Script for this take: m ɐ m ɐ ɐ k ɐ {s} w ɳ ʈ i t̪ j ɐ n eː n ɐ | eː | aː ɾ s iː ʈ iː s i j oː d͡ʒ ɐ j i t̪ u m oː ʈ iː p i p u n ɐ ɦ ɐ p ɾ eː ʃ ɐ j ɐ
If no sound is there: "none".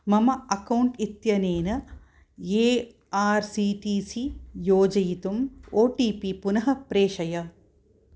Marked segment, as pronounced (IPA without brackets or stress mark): none